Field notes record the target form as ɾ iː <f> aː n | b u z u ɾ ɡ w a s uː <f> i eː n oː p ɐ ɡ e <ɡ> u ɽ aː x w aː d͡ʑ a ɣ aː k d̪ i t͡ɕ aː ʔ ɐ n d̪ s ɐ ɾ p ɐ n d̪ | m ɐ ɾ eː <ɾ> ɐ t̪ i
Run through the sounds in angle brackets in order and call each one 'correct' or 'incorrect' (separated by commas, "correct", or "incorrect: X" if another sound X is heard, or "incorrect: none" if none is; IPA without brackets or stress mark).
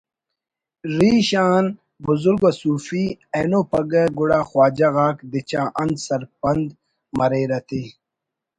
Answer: incorrect: ɕ, correct, correct, correct